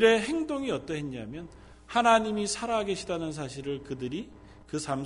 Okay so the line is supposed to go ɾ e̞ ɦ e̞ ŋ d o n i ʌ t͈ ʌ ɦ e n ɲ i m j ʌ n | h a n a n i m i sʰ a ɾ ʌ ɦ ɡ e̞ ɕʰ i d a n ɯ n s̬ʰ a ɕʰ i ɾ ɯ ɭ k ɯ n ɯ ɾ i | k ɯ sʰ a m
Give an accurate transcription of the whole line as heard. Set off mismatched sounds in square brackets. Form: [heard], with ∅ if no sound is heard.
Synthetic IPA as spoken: ɾ e̞ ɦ e̞ ŋ d o [ŋ] i ʌ t͈ ʌ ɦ e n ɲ [a] m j ʌ n | h a n a [ɲ] i m i sʰ a ɾ [a] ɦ ɡ e̞ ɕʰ i d a n ɯ n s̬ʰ a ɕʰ i ɾ ɯ ɭ k ɯ [d] ɯ ɾ i | k ɯ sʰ a m